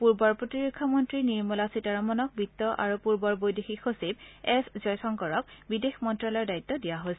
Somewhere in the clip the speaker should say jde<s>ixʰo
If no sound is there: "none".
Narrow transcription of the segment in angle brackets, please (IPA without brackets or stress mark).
x